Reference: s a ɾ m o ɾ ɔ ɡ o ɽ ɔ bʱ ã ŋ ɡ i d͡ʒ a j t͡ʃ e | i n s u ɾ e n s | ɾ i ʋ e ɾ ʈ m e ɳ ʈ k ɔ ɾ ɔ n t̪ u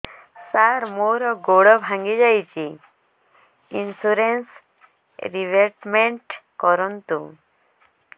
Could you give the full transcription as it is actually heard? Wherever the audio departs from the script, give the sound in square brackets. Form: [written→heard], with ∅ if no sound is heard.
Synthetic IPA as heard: s a ɾ m o ɾ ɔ ɡ o ɽ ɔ bʱ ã ŋ ɡ i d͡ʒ a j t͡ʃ [e→i] | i n s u ɾ e n s | ɾ i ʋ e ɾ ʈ m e ɳ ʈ k ɔ ɾ ɔ n t̪ u